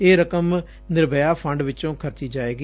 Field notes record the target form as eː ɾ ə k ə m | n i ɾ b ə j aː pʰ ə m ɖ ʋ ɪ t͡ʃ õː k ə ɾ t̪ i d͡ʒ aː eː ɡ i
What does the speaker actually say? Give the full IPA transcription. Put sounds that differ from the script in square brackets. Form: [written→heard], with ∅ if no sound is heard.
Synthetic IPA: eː ɾ ə k ə m | n [i→ɪ] ɾ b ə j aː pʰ ə [m→ɳ] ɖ ʋ ɪ t͡ʃ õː [k→kʰ] ə ɾ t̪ [i→iː] d͡ʒ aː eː ɡ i